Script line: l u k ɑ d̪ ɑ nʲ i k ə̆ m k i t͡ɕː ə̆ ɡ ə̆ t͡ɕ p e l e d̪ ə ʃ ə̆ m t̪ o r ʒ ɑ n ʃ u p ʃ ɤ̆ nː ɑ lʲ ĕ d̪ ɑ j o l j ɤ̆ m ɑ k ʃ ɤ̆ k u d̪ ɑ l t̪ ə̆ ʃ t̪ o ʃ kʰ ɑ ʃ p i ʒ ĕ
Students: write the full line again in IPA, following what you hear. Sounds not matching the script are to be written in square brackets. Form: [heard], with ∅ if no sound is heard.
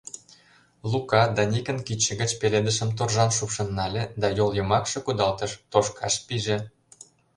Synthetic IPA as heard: l u k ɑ d̪ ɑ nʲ i k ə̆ [n] k i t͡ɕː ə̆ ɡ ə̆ t͡ɕ p e l e d̪ ə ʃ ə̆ m t̪ o r ʒ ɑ n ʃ u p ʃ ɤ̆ nː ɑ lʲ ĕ d̪ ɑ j o l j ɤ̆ m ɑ k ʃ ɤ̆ k u d̪ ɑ l t̪ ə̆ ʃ t̪ o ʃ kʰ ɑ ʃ p i ʒ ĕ